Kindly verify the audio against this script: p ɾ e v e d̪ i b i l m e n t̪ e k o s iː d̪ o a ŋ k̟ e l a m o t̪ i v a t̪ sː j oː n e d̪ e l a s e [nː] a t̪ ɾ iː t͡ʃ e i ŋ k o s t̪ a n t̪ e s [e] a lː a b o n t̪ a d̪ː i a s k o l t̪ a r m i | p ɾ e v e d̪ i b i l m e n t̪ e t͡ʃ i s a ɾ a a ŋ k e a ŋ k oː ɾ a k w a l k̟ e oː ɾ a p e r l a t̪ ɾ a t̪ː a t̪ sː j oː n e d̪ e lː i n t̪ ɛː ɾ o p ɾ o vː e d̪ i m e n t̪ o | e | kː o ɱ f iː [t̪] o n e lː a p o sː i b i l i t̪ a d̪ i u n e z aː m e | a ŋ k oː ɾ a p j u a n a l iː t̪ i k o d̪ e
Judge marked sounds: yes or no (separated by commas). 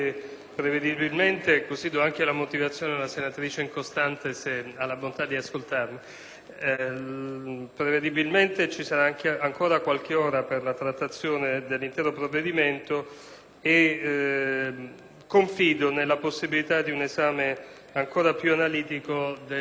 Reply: no, yes, no